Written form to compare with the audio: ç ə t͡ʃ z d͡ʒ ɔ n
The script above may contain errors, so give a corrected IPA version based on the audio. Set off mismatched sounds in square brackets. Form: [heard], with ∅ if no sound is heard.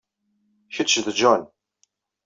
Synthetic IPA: ç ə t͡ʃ [ð] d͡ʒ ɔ n